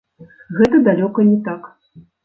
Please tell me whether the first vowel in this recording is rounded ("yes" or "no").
no